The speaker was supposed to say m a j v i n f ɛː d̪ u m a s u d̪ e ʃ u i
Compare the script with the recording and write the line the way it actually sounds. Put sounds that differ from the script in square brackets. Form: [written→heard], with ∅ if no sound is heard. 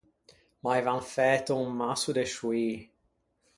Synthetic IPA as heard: m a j v [i→a] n f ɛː [d̪→t̪] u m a s u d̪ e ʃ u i